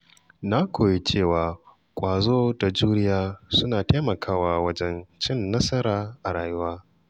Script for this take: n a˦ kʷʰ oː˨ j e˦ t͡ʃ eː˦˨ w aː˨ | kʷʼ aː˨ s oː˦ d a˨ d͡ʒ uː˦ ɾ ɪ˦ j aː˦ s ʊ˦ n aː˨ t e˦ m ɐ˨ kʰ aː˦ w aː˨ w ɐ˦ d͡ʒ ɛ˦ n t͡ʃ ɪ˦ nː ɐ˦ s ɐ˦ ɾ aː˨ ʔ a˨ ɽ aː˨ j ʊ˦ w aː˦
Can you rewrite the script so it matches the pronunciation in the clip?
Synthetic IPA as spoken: n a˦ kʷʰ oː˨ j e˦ t͡ʃ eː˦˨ w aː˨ | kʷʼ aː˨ z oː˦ d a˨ d͡ʒ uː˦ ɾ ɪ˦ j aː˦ s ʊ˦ n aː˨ t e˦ m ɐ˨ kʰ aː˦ w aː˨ w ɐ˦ d͡ʒ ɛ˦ n t͡ʃ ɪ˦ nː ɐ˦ s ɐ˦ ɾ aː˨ ʔ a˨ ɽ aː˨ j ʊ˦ w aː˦